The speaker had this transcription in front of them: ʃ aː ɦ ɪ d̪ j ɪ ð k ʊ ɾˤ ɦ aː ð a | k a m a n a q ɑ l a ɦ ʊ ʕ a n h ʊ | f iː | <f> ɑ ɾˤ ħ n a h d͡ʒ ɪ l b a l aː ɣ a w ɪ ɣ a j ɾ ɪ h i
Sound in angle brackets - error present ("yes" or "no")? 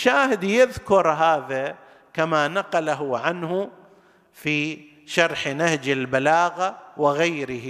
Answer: yes